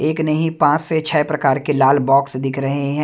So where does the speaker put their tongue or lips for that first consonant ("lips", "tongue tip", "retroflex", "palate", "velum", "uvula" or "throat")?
velum